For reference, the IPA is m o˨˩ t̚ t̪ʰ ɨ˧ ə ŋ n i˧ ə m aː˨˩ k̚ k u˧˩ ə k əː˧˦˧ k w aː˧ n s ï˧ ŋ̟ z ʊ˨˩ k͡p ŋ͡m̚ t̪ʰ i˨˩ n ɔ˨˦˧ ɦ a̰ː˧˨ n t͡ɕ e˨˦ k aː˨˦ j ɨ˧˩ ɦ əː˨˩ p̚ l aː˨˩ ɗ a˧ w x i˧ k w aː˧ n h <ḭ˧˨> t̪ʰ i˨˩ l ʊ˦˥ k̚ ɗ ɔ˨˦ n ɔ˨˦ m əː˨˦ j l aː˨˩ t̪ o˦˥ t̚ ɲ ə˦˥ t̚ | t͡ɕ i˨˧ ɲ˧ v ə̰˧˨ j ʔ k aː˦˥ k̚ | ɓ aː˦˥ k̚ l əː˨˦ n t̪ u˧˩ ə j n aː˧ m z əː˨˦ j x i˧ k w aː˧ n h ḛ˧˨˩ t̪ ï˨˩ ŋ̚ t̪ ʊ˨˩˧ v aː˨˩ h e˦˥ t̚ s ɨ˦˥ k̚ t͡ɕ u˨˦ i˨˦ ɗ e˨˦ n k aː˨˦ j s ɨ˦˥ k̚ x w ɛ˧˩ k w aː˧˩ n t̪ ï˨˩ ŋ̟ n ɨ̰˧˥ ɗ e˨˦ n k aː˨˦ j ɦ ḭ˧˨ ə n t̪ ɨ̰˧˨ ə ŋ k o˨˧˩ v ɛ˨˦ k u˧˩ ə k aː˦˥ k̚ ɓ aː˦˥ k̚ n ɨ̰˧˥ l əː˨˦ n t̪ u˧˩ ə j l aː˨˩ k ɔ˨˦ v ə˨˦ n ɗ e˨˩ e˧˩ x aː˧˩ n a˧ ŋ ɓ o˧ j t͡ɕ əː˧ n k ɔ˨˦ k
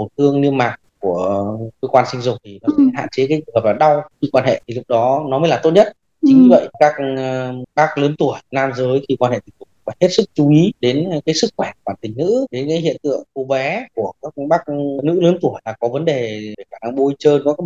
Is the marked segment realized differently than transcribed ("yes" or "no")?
yes